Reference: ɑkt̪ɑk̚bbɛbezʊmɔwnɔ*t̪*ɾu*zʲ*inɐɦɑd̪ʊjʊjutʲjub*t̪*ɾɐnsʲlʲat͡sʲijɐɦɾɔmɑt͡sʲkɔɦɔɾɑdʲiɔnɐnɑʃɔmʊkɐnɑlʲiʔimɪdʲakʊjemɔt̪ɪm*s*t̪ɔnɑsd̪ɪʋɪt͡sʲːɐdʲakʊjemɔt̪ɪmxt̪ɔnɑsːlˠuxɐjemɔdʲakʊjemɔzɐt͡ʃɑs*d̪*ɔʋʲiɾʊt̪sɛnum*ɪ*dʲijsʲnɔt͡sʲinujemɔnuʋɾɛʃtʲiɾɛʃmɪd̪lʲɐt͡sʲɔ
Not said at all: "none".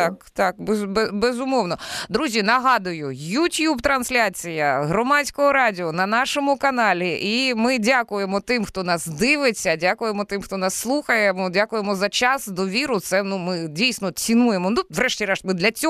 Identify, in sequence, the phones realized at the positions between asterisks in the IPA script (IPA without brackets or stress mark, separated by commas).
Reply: d̪, zʲ, t̪, x, d̪, ɪ